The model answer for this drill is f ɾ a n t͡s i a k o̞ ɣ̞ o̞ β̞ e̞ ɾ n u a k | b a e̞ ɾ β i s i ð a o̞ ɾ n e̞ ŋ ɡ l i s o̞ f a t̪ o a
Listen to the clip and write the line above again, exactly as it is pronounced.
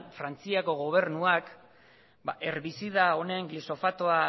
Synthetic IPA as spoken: f ɾ a n t͡s i a k o̞ ɣ̞ o̞ β̞ e̞ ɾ n u a k | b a e̞ ɾ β i s i ð a o̞ n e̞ ŋ ɡ l i s o̞ f a t̪ o a